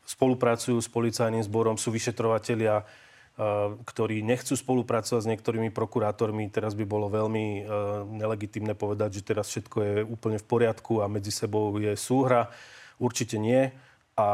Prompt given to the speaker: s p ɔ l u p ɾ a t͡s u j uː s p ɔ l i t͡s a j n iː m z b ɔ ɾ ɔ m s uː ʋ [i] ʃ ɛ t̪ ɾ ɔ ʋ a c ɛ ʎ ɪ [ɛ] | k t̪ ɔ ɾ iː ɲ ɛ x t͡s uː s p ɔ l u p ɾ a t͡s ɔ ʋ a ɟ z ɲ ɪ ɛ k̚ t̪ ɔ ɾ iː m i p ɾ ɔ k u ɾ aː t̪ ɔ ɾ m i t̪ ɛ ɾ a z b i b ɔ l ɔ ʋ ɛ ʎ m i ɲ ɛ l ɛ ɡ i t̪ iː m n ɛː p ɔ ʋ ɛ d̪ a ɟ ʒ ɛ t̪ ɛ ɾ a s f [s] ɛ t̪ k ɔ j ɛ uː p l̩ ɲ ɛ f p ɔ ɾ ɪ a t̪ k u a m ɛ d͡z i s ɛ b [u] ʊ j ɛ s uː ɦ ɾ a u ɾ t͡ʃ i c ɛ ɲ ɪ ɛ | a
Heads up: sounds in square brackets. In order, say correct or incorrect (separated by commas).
correct, incorrect, incorrect, incorrect